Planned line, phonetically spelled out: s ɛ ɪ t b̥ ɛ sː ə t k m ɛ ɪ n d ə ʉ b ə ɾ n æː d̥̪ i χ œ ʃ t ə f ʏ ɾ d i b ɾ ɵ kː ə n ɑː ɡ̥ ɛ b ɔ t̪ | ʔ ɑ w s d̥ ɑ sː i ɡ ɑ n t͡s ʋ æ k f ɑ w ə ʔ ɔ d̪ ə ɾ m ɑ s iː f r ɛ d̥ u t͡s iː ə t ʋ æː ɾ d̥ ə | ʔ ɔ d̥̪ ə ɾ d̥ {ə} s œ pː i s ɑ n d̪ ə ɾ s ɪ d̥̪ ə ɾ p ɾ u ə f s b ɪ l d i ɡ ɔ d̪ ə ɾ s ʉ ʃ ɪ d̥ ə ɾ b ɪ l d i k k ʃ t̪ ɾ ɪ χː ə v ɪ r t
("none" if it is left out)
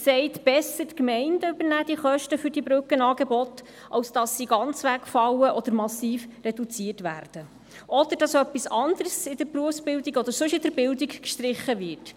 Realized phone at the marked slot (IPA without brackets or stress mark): ɑ